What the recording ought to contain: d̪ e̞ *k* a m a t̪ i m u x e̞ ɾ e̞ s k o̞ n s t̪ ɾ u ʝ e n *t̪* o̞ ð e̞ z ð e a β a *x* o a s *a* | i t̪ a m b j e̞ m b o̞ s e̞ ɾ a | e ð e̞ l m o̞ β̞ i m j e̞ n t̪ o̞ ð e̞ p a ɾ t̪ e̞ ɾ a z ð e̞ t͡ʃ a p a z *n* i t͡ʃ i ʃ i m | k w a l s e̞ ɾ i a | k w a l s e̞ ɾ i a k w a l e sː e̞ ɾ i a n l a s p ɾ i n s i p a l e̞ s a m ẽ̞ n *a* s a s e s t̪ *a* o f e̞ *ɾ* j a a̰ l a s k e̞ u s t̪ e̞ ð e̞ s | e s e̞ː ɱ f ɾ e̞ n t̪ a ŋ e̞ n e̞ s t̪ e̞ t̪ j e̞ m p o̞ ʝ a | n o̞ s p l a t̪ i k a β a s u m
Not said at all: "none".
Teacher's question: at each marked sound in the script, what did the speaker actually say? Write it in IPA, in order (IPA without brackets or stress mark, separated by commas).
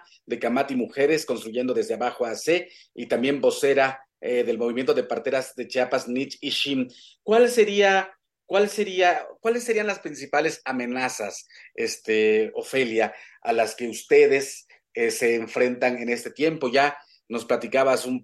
k, d̪, x, e, n, a, e, l